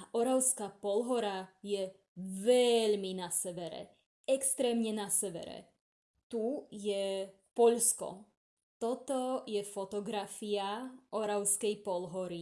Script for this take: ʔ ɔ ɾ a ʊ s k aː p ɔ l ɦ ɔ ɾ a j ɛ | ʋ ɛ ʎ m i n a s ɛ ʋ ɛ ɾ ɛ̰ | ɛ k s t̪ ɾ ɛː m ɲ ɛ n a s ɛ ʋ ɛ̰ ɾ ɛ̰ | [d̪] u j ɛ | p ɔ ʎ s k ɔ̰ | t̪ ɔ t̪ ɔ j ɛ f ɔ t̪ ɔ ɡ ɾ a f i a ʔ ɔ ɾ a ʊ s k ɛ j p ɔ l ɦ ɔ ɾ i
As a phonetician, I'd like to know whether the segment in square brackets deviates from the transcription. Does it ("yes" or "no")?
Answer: yes